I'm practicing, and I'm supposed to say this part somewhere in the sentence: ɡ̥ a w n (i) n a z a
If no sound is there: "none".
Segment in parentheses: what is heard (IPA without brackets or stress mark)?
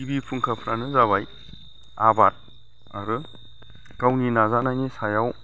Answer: i